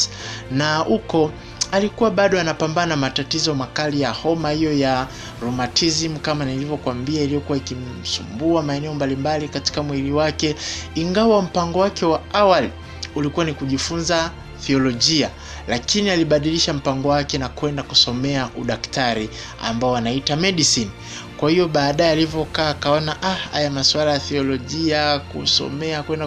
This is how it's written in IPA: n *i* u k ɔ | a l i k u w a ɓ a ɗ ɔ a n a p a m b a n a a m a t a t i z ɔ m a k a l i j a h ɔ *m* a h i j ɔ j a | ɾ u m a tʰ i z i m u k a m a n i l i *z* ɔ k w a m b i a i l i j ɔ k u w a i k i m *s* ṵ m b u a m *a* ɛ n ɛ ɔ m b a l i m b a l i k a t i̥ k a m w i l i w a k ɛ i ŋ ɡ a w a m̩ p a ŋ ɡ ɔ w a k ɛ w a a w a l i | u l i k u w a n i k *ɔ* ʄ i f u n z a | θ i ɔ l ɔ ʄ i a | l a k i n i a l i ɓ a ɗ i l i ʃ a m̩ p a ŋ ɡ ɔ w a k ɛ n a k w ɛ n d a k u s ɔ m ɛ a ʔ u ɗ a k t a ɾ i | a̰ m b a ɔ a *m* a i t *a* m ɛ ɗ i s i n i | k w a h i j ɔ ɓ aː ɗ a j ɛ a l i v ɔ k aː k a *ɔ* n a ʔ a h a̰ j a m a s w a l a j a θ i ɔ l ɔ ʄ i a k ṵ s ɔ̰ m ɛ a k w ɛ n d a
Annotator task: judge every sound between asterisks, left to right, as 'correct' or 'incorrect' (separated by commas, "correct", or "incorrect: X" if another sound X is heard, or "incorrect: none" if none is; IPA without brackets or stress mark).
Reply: incorrect: a, correct, incorrect: v, correct, correct, incorrect: u, incorrect: n, correct, correct